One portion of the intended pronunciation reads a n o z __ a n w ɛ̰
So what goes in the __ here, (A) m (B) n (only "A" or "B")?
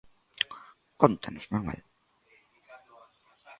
A